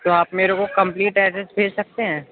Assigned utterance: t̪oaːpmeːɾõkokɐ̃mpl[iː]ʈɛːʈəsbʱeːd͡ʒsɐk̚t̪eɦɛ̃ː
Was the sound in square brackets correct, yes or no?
yes